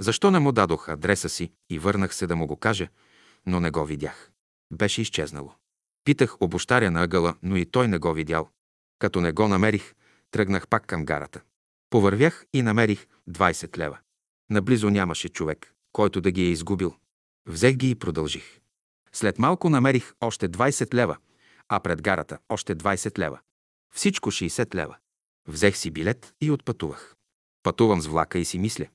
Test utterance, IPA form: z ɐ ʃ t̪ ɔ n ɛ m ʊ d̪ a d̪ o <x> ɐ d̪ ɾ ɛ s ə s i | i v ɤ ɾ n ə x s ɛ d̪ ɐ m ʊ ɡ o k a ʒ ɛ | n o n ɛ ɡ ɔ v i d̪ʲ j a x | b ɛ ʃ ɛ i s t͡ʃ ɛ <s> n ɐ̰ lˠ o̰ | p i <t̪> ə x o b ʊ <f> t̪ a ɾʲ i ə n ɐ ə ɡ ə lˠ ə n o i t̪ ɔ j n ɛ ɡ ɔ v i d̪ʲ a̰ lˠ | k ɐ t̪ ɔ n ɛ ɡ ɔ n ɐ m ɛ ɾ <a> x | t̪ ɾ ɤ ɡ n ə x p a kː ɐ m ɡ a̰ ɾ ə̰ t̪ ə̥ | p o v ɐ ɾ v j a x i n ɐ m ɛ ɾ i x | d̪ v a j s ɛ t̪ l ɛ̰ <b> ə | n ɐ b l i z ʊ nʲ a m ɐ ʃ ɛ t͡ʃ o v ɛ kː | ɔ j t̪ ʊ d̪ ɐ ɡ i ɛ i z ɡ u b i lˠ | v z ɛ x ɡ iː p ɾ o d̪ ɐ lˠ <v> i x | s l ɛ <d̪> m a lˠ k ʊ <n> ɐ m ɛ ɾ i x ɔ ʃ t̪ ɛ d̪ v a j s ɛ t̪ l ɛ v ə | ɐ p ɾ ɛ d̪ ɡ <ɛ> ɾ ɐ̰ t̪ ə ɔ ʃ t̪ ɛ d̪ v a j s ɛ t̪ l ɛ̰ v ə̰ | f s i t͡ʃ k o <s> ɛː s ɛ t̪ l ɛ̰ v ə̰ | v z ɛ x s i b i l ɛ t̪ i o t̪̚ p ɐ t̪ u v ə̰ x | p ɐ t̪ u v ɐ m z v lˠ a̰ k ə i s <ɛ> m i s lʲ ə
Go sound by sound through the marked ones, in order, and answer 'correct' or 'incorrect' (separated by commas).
correct, incorrect, correct, incorrect, incorrect, incorrect, incorrect, incorrect, correct, incorrect, incorrect, incorrect